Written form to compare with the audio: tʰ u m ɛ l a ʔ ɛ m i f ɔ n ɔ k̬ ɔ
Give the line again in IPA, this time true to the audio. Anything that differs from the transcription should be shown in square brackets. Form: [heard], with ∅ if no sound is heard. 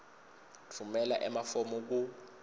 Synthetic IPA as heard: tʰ u m ɛ l a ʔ ɛ m [a] f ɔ [m] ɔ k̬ [u]